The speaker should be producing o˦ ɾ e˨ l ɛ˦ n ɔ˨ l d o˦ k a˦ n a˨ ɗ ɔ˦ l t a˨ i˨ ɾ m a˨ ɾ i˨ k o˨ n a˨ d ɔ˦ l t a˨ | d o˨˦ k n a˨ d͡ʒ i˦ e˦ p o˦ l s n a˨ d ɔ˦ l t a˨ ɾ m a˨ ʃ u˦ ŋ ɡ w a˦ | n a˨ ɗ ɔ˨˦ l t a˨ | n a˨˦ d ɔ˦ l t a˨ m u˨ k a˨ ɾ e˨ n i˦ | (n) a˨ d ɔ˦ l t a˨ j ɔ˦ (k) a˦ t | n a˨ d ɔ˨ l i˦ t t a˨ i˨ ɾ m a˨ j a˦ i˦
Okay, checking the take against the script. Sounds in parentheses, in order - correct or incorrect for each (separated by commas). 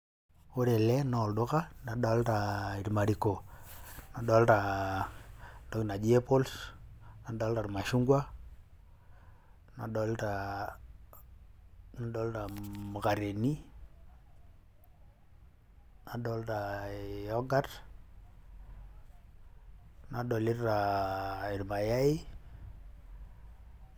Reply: correct, incorrect